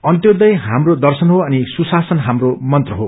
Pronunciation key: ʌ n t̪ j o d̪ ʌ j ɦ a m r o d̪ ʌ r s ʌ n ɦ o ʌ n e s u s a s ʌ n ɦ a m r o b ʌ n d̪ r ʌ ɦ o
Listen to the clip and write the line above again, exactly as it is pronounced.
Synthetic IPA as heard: ʌ n t̪ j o d̪ ʌ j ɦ a m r o d̪ ʌ r s ʌ n ɦ o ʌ n i s u s a s ʌ n ɦ a m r o m ʌ n t̪ r ʌ ɦ o

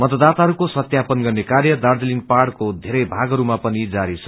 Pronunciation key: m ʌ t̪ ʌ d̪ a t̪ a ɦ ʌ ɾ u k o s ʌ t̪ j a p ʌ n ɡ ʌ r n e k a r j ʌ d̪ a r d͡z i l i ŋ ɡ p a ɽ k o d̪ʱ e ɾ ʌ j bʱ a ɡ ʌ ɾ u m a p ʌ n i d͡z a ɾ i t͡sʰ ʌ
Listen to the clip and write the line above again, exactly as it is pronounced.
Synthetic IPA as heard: m ʌ t̪ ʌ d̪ a t̪ a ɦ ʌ ɾ u k o s ʌ t̪ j a p ʌ n ɡ ʌ r n e k a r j ʌ d̪ a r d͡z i l i ŋ ɡ p a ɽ k o d̪ʱ e ɾ ʌ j bʱ a ɡ ʌ ɾ u m a p ʌ n i d͡z a ɾ i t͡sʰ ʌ

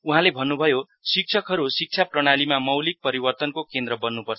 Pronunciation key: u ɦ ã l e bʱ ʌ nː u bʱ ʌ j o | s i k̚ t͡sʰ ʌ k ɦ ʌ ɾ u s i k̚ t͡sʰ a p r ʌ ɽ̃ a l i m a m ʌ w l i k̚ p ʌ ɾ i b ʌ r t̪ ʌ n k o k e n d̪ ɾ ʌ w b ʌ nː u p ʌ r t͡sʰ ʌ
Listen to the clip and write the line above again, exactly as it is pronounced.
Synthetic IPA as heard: u ɦ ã l e bʱ ʌ nː u bʱ ʌ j o | s i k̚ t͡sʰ ʌ k ɦ ʌ ɾ u s i k̚ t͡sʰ a p r ʌ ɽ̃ a l i m a m ʌ w l i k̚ p ʌ ɾ i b ʌ r t̪ ʌ n k o k e n d̪ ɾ ʌ b ʌ nː u p ʌ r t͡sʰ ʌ

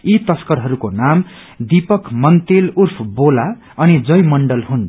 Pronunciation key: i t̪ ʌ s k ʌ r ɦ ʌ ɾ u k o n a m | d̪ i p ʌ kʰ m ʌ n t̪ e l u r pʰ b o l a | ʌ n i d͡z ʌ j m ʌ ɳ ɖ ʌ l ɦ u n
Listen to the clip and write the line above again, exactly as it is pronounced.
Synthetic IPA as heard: i t̪ ʌ s k ʌ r ɦ ʌ ɾ u k o n a m | d̪ i p ʌ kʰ m ʌ n t̪ e l u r pʰ b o l a | ʌ n i d͡z ʌ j m ʌ ɳ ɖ ʌ l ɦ u n

